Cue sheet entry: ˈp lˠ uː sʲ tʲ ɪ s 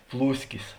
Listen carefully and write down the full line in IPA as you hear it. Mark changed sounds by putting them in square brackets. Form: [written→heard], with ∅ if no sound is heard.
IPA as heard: ˈp lˠ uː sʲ [tʲ→kʲ] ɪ s